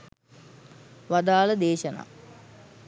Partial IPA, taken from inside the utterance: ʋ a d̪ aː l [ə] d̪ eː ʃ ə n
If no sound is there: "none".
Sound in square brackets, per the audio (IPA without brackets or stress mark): ə